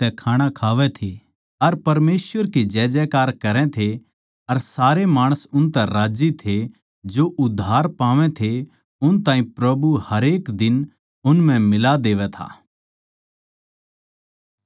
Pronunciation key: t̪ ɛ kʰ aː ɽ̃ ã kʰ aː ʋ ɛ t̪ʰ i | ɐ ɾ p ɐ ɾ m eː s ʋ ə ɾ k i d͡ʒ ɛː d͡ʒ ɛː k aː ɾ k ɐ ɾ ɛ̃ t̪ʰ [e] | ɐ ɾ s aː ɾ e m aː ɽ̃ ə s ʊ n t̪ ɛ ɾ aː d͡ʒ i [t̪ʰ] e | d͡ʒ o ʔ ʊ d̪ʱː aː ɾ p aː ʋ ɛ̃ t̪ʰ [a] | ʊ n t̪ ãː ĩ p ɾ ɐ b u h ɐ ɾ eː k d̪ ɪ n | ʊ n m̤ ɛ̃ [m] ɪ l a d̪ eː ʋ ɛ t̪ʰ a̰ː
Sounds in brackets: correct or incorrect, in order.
correct, correct, incorrect: e, correct

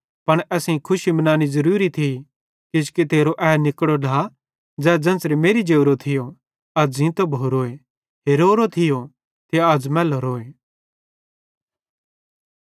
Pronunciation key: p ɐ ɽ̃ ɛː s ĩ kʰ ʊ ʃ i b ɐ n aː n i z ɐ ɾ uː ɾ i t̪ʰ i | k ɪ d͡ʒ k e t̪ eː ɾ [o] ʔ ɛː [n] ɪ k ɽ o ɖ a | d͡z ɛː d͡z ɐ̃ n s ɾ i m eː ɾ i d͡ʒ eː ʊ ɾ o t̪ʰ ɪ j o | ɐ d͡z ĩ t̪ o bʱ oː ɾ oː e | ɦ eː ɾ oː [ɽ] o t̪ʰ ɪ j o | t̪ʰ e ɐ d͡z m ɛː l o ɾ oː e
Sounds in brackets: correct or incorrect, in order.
correct, correct, incorrect: ɾ

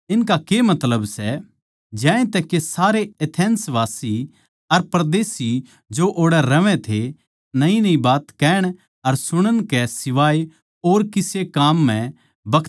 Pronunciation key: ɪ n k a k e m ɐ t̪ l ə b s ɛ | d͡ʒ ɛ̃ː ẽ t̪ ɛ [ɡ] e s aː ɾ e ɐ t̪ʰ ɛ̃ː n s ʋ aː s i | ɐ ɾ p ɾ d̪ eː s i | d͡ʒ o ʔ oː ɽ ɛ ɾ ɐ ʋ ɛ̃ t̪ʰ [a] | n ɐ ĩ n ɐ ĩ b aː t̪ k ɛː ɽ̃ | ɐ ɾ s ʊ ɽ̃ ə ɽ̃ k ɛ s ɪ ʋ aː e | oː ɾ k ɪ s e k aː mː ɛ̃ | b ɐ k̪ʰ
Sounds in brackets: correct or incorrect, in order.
incorrect: k, incorrect: e

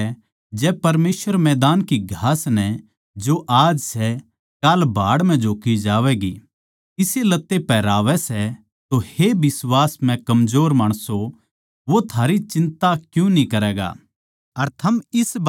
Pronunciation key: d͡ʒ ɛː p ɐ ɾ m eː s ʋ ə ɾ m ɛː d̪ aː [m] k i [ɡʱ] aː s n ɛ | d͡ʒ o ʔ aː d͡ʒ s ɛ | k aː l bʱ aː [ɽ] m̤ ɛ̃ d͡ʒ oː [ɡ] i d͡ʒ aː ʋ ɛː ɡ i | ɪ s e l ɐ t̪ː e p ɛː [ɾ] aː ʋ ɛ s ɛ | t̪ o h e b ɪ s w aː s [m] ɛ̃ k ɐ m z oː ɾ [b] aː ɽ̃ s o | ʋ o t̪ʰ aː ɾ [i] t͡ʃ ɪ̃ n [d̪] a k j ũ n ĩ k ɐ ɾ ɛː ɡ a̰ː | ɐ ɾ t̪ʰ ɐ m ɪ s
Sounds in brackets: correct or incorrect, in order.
incorrect: n, correct, correct, incorrect: k, correct, correct, incorrect: m, correct, incorrect: t̪

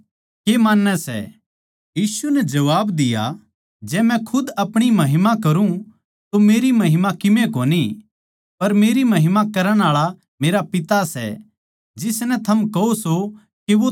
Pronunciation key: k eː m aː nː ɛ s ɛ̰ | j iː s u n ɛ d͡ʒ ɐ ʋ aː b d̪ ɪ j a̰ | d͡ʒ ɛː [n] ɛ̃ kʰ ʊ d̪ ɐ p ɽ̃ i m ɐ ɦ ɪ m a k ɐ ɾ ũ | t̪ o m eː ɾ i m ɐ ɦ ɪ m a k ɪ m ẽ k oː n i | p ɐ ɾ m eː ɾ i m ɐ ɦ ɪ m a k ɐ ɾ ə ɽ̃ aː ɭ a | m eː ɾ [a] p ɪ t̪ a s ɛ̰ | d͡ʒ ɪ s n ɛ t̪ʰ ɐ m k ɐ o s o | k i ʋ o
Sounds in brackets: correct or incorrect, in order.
incorrect: m, correct

